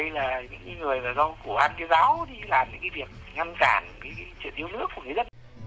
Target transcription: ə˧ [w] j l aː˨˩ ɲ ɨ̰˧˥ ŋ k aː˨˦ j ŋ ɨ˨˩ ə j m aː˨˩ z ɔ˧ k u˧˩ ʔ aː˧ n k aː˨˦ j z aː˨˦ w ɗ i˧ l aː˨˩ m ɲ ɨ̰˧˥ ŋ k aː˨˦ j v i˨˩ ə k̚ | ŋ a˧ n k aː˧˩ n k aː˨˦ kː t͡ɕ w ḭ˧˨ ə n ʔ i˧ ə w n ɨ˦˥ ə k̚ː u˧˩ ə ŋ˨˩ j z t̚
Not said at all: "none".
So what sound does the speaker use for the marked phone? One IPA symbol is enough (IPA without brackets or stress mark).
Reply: none